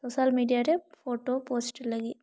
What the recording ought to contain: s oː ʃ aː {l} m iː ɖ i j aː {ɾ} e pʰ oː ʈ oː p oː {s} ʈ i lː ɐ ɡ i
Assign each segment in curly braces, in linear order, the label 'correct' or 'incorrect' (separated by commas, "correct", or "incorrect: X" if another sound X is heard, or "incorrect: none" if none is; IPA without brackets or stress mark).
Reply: correct, correct, correct